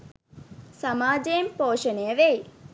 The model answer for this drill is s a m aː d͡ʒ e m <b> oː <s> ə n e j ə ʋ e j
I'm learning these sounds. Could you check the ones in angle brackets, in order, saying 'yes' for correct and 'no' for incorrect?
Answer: no, no

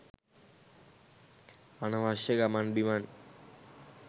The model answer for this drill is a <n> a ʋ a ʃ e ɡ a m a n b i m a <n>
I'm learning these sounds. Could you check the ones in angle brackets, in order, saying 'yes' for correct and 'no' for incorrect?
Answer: yes, yes

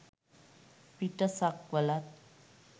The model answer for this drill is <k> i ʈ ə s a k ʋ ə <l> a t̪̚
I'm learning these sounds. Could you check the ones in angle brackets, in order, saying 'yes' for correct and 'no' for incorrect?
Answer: no, yes

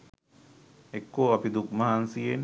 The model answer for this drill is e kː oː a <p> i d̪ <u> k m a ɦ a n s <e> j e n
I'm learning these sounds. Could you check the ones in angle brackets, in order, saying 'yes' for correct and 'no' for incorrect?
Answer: yes, yes, no

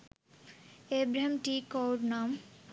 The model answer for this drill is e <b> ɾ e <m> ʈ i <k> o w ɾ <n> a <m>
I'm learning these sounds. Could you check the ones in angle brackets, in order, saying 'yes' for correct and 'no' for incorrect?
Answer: yes, yes, yes, yes, yes

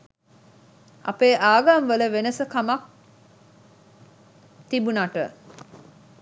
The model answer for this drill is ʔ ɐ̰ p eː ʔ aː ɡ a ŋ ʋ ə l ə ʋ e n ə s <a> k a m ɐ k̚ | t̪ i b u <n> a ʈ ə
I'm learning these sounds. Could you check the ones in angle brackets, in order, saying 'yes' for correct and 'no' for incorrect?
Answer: no, yes

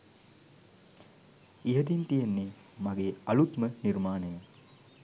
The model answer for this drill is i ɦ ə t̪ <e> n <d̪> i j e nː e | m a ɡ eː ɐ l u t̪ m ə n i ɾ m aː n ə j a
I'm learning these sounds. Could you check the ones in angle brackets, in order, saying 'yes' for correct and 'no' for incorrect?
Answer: no, no

